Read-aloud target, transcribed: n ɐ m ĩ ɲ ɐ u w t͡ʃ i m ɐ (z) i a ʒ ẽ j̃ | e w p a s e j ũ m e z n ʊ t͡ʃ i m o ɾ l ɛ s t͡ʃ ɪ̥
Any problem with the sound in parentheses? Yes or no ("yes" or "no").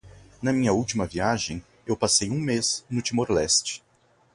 yes